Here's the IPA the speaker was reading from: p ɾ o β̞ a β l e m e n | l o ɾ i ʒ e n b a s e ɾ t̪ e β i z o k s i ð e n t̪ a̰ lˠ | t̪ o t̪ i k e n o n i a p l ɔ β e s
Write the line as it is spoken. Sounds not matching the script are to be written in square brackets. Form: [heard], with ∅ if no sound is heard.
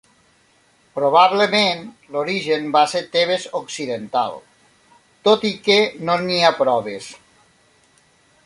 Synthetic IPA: p ɾ o β̞ a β l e m e n | l o ɾ i ʒ e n b a s e ɾ t̪ e β [e] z o k s i ð e n t̪ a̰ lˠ | t̪ o t̪ i k e n o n i a p [ɾ] ɔ β e s

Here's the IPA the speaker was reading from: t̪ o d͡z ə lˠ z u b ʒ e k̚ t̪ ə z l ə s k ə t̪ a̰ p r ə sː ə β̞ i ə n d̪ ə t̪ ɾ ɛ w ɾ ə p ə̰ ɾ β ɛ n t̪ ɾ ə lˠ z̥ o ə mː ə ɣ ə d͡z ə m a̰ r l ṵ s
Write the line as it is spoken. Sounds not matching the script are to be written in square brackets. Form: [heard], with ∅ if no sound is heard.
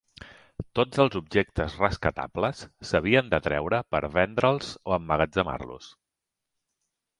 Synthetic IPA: t̪ o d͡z ə lˠ z u b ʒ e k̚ t̪ ə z [r] ə s k ə t̪ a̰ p [l] ə sː ə β̞ i ə n d̪ ə t̪ ɾ ɛ w ɾ ə p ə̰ ɾ β ɛ n [d̪] ɾ ə lˠ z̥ o ə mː ə ɣ ə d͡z ə m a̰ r l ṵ s

